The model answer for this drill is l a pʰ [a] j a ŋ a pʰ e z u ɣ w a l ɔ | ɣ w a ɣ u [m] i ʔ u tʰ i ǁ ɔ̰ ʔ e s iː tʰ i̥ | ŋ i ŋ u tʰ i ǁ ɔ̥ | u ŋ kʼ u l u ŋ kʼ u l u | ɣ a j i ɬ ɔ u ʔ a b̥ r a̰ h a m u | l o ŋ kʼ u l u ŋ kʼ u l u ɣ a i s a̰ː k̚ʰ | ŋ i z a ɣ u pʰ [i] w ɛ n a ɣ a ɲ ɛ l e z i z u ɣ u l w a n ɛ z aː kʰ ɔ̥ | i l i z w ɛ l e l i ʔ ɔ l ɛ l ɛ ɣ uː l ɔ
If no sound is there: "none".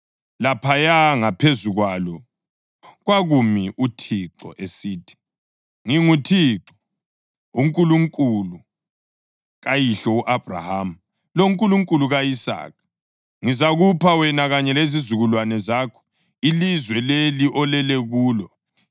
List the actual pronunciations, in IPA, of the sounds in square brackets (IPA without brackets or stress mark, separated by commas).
a, m, a